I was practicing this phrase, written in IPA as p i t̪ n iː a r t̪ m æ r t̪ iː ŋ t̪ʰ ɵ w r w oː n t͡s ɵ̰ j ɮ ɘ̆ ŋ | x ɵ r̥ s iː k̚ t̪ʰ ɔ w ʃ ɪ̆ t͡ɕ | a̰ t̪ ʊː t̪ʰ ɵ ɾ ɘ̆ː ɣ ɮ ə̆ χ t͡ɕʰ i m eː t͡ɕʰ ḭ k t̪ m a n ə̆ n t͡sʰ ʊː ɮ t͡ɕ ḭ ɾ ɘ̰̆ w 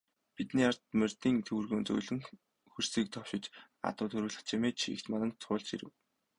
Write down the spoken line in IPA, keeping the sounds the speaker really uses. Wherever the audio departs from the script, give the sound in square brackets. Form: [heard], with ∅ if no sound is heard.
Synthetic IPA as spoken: p i t̪ n iː a r t̪ m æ r t̪ iː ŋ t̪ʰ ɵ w r [ɣ] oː n t͡s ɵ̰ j ɮ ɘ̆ ŋ | x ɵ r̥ s iː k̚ t̪ʰ ɔ w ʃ ɪ̆ t͡ɕ | a̰ t̪ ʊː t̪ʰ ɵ ɾ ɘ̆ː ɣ ɮ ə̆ χ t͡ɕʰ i m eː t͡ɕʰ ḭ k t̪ m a n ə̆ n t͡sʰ ʊː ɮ t͡ɕ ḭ ɾ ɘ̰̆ w